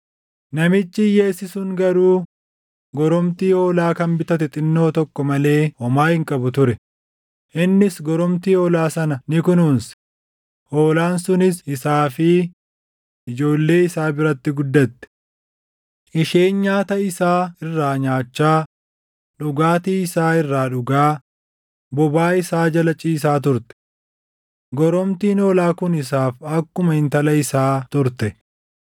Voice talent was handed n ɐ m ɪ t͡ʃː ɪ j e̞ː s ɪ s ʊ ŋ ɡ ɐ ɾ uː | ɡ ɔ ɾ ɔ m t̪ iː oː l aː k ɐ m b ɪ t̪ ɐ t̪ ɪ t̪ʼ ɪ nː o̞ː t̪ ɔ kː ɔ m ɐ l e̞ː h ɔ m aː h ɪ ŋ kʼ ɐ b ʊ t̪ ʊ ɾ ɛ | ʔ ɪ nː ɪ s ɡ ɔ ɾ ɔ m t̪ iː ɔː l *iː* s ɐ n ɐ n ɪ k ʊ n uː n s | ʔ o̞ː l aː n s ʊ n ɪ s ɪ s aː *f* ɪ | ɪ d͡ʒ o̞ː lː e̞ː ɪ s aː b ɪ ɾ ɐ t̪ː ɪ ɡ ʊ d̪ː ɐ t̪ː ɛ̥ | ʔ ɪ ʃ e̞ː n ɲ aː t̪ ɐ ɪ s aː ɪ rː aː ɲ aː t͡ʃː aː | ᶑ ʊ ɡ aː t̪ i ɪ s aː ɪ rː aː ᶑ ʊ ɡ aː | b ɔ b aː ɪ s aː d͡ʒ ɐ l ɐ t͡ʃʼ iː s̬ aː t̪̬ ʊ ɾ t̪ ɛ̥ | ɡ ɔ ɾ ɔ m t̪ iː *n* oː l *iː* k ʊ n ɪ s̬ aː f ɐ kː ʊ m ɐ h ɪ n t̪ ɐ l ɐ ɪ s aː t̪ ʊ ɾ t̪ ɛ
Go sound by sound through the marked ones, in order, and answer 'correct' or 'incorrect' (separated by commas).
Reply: incorrect, correct, correct, incorrect